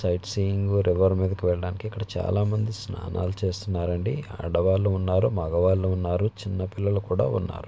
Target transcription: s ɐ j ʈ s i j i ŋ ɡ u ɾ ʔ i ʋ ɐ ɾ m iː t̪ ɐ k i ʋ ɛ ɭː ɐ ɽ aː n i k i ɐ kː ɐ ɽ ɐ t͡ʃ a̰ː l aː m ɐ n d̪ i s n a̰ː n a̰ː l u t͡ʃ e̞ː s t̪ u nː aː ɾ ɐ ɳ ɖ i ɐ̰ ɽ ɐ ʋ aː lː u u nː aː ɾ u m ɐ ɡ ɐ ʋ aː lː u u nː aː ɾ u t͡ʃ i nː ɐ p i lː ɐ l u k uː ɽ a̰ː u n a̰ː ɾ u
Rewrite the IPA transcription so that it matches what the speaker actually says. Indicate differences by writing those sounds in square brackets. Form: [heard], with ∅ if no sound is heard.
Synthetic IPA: s ɐ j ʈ s i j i ŋ ɡ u ɾ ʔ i ʋ ɐ ɾ m iː [d̪] ɐ k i ʋ ɛ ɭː ɐ ɽ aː n i k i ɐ kː ɐ ɽ ɐ t͡ʃ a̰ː l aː m ɐ n d̪ i s n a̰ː n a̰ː l u t͡ʃ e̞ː s t̪ u nː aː ɾ ɐ ɳ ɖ i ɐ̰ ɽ ɐ ʋ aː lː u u nː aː ɾ u m ɐ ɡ ɐ ʋ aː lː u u nː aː ɾ u t͡ʃ i nː ɐ p i lː ɐ l u k uː ɽ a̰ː u [nː] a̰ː ɾ u